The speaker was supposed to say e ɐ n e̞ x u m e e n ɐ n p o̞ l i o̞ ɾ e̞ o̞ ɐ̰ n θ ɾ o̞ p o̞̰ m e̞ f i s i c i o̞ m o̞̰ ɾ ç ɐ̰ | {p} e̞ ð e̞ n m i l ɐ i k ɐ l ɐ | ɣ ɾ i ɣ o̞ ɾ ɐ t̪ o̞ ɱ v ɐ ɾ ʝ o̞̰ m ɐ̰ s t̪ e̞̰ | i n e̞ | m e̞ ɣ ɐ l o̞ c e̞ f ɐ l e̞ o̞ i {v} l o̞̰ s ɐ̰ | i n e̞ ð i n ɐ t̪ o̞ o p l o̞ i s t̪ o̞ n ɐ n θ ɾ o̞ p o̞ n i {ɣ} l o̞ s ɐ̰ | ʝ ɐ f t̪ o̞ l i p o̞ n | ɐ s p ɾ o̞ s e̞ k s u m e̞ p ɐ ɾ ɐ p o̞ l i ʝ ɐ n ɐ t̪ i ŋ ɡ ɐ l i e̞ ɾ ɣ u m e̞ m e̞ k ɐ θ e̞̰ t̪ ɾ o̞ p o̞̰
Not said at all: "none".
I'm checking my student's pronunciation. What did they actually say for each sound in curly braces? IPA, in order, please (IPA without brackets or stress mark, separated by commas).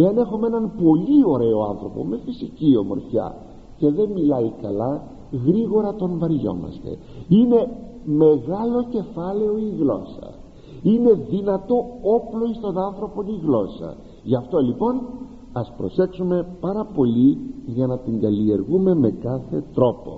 c, ɣ, ɣ